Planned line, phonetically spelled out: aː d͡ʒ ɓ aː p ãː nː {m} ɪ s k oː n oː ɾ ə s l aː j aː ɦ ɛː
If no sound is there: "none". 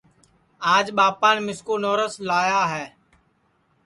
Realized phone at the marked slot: m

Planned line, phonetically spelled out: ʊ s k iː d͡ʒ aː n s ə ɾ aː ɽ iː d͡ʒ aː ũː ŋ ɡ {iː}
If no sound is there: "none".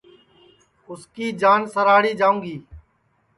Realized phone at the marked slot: iː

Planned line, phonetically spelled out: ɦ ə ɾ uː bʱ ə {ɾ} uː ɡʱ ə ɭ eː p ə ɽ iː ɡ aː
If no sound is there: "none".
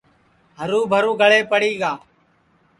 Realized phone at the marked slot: ɾ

